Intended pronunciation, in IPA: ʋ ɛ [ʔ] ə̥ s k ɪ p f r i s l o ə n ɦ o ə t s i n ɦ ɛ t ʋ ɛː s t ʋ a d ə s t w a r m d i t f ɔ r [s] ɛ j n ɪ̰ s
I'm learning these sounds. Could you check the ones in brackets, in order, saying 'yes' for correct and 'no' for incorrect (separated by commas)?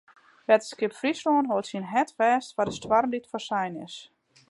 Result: no, yes